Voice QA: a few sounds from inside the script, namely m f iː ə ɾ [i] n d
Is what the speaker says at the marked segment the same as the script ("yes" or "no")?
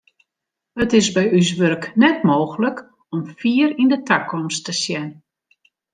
yes